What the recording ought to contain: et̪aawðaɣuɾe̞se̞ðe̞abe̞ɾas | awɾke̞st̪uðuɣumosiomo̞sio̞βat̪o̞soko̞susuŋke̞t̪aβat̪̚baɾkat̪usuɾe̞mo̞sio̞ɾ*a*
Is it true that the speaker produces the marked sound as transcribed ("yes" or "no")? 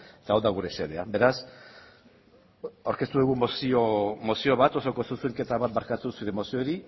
no